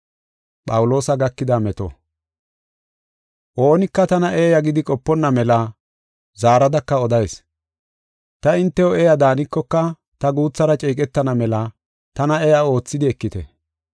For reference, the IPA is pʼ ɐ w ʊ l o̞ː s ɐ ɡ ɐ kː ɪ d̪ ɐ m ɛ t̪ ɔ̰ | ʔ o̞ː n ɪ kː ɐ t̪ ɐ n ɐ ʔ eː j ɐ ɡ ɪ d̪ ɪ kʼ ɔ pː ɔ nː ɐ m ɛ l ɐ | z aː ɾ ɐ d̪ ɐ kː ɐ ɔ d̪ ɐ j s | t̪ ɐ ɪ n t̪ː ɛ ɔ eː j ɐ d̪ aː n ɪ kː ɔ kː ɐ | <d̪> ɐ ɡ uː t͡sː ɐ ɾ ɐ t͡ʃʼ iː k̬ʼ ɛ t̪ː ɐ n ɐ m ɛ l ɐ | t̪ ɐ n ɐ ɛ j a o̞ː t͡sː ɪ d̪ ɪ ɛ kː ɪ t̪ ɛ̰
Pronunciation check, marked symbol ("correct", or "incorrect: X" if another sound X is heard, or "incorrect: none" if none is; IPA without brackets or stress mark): incorrect: t̪